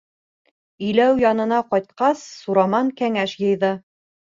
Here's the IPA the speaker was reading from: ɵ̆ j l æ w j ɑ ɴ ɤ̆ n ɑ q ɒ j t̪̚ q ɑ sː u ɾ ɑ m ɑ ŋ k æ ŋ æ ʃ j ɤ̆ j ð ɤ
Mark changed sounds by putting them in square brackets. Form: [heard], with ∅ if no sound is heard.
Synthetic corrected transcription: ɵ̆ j l æ w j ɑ [n] ɤ̆ n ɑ q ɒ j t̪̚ q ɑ sː u ɾ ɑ m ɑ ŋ k æ ŋ æ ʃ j ɤ̆ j ð ɤ